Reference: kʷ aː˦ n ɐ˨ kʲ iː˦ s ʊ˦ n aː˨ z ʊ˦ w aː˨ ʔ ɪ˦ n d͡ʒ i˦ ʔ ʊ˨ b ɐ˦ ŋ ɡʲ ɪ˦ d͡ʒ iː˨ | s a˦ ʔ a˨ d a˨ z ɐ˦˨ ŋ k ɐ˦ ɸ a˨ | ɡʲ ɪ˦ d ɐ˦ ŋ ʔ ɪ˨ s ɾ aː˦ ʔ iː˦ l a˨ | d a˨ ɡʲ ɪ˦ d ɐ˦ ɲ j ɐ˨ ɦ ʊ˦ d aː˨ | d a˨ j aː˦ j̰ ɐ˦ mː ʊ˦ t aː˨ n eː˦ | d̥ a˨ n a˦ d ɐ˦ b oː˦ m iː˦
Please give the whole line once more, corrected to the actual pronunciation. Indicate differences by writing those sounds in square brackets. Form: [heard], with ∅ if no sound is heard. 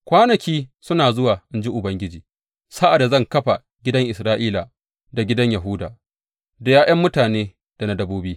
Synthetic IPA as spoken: kʷ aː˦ n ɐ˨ kʲ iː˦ s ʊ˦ n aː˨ z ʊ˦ w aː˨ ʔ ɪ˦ n d͡ʒ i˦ ʔ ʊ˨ b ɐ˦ ŋ ɡʲ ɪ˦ d͡ʒ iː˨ | s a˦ ʔ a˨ d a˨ z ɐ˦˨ ŋ k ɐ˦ ɸ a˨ | ɡʲ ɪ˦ d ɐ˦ ŋ ʔ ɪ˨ s ɾ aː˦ ʔ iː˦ l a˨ | d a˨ ɡʲ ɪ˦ d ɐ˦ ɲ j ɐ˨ ɦ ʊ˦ d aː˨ | d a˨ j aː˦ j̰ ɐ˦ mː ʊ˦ t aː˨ n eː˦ | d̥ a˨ n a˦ d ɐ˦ b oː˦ [b] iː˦